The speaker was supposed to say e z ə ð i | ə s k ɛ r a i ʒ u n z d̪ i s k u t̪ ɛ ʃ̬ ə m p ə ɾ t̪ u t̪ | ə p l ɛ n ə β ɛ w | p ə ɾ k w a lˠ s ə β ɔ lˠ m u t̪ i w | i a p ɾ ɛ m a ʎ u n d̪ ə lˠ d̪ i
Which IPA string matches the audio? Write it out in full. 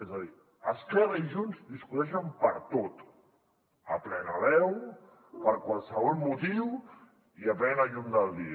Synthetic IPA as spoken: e z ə ð i | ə s k ɛ r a i ʒ u n z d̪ i s k u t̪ ɛ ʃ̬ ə m p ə ɾ t̪ o t̪ | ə p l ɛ n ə β ɛ w | p ə ɾ k w a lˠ s ə β ɔ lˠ m u t̪ i w | i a p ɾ ɛ n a ʎ u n d̪ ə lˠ d̪ i